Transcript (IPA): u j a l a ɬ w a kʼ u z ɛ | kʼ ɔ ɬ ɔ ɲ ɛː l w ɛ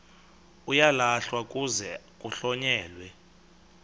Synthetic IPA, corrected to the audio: u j a l a ɬ w a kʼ u z ɛ | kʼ u ɬ ɔ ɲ ɛː l w ɛ